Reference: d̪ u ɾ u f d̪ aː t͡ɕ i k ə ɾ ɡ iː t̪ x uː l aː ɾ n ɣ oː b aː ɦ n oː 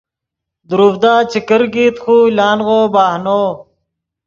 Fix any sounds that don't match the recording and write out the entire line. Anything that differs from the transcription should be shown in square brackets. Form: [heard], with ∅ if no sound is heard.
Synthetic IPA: d̪ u ɾ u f d̪ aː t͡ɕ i k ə ɾ ɡ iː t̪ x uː l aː [∅] n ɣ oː b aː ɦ n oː